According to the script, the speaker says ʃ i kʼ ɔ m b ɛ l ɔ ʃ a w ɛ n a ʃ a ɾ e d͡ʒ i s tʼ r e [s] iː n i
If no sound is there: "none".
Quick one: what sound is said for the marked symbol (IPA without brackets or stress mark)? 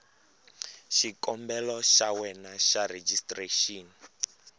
ʃ